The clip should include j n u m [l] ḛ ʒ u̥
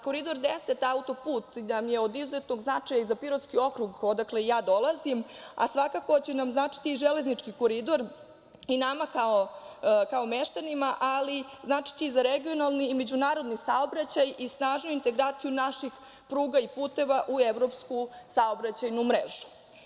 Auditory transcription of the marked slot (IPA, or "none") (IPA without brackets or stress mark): ɾ